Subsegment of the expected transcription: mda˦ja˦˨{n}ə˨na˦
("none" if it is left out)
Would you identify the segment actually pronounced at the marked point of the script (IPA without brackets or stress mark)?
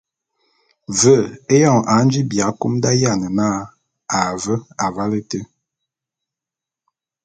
n